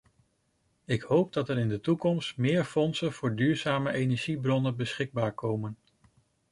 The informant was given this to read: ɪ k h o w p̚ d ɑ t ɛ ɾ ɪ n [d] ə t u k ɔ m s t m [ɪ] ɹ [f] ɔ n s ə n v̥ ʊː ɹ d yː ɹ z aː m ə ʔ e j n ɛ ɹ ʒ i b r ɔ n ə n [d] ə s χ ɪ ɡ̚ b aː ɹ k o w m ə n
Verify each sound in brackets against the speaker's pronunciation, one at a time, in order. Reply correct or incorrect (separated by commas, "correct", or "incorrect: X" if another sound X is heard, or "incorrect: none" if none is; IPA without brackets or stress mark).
correct, incorrect: ɪː, correct, incorrect: b